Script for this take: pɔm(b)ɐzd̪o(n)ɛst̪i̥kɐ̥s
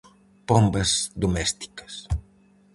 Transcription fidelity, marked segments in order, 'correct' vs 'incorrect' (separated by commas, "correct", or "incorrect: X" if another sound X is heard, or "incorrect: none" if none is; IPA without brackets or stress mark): correct, incorrect: m